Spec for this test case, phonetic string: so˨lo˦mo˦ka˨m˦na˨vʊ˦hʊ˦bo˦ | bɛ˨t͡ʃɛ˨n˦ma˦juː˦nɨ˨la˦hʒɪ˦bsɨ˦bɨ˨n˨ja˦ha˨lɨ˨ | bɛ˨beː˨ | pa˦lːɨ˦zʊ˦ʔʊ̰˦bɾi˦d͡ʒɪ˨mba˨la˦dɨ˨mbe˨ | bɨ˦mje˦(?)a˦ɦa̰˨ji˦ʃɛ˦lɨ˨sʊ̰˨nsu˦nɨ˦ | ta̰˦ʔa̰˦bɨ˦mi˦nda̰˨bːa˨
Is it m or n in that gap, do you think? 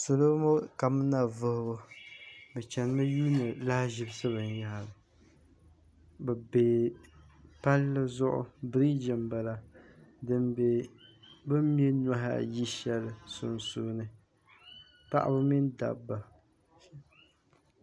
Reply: n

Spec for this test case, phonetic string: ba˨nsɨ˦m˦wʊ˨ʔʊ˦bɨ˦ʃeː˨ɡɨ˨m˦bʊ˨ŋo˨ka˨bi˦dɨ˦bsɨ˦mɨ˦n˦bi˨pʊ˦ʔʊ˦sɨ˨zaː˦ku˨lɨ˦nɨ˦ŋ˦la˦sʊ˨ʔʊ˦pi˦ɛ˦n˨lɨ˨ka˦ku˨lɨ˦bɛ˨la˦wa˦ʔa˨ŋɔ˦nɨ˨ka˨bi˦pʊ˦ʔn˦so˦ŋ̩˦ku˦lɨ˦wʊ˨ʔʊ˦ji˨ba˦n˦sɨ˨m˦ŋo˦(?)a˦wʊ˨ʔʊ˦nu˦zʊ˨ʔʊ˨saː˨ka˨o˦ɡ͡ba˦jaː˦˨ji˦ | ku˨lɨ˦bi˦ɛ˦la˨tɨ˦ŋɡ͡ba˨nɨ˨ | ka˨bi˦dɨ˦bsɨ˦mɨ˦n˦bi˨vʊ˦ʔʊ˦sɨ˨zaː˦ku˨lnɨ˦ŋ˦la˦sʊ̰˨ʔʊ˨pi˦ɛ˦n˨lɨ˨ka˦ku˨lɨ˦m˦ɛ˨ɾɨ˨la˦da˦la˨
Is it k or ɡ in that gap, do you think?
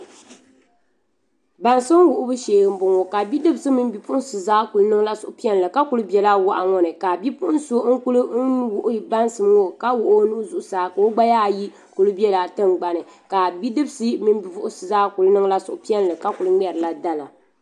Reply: k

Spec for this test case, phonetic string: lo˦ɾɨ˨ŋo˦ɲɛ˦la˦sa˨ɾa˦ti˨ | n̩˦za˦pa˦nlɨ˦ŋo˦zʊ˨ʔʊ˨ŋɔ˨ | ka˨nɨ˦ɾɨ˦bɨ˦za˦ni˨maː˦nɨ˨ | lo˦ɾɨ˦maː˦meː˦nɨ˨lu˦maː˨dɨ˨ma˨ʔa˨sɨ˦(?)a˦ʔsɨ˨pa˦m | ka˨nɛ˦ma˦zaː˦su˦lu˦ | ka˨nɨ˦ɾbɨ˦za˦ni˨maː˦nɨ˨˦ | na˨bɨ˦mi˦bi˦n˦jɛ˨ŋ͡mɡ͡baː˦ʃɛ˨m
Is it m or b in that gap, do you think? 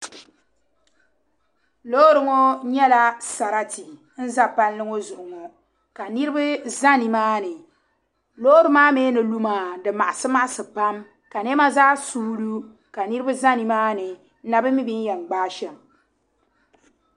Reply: m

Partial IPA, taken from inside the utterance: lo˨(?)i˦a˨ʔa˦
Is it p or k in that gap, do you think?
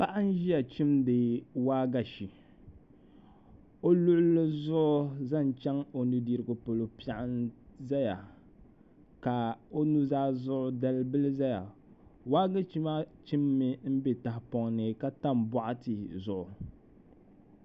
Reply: p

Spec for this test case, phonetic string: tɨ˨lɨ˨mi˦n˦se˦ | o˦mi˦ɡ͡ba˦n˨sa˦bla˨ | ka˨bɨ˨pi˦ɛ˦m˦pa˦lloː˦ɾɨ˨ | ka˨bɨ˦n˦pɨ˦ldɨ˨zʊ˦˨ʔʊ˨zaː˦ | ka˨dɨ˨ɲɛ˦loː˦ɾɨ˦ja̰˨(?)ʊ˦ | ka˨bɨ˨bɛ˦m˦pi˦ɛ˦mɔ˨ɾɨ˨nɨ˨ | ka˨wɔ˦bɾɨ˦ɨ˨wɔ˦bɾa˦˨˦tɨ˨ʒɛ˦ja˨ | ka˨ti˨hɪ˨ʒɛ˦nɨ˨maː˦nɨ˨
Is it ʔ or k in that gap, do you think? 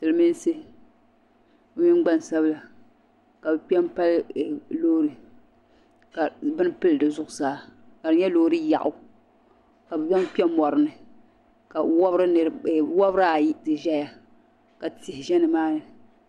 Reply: ʔ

